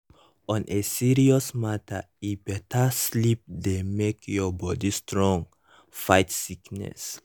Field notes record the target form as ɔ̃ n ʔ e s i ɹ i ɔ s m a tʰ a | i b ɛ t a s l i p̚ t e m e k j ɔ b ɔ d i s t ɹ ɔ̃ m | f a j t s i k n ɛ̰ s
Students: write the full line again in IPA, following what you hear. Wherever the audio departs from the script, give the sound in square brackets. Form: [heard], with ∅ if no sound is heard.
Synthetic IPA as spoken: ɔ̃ n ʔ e s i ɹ i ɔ s m a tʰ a | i b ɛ t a s l i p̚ [d] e m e k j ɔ b ɔ d i s t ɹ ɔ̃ [ŋ] | f a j t s i k n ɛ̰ s